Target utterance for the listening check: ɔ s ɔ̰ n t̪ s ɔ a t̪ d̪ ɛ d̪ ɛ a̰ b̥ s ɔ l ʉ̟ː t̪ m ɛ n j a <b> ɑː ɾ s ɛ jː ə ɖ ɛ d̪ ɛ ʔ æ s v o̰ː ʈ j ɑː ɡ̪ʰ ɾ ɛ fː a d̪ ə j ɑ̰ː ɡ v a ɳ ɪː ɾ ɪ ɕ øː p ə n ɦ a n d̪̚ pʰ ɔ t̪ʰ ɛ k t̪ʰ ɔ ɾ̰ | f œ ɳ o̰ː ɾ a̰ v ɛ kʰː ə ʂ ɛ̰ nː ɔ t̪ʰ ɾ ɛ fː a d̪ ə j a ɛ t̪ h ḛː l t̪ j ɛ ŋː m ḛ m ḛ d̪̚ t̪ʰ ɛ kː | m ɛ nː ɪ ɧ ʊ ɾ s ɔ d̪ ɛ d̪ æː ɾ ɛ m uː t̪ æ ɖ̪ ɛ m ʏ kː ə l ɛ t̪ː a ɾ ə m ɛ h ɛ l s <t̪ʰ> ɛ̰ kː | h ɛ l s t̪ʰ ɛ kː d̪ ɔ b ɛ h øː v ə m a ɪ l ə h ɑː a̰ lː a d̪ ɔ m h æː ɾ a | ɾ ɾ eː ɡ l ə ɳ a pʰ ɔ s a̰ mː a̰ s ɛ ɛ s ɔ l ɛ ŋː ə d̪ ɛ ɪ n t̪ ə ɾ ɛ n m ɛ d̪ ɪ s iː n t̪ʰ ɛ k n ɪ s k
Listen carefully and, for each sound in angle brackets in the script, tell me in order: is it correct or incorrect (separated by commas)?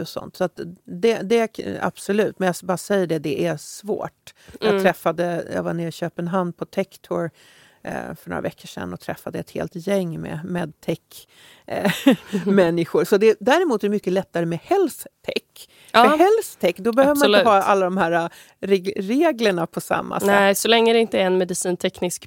correct, correct